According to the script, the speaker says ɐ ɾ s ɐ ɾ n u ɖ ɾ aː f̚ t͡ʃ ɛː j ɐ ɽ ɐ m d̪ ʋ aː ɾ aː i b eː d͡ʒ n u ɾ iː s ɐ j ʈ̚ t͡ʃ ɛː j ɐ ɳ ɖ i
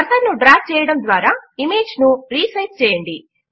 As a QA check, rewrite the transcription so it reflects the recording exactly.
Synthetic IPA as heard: ɐ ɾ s ɐ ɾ n u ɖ ɾ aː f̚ t͡ʃ ɛː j ɐ ɽ ɐ m d̪ ʋ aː ɾ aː i m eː d͡ʒ n u ɾ iː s ɐ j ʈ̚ t͡ʃ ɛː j ɐ ɳ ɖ i